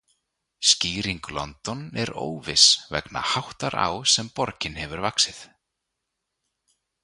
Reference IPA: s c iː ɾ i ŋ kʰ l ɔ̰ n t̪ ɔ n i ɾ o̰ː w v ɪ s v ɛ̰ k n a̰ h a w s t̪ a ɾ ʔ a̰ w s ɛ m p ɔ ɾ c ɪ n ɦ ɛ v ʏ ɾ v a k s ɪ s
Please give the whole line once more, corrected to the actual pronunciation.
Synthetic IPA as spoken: s c iː ɾ i ŋ k l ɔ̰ n t̪ ɔ n ɛ ɾ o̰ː w v ɪ s v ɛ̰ k n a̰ h a w h t̪ a ɾ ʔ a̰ w s ɛ m p ɔ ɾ c ɪ n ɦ ɛ v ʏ ɾ v a k s ɪ θ